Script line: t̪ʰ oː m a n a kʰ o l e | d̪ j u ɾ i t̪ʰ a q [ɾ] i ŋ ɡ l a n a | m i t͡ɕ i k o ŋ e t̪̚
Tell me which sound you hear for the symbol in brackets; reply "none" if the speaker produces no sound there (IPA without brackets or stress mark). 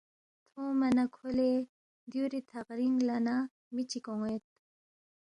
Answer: ɾ